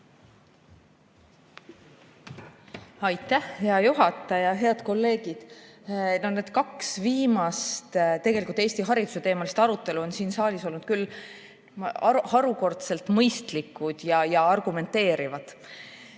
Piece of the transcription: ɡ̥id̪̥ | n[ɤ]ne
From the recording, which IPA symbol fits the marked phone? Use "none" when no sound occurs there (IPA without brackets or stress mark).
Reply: o